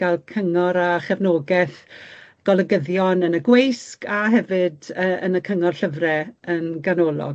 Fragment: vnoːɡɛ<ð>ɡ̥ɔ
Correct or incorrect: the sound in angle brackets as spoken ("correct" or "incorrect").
incorrect